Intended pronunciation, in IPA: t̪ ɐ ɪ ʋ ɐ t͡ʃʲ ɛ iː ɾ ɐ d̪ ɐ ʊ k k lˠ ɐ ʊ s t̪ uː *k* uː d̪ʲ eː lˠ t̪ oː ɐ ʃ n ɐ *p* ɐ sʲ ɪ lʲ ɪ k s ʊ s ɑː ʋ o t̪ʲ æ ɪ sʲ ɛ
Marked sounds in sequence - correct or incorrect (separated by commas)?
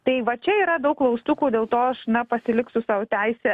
correct, correct